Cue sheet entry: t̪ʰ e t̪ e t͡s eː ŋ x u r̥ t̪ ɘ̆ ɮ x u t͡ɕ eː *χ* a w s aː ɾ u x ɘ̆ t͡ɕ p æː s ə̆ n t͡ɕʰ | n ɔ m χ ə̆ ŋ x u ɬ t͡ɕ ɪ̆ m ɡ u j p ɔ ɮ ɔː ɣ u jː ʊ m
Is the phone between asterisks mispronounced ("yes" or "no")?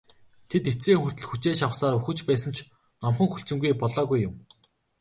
yes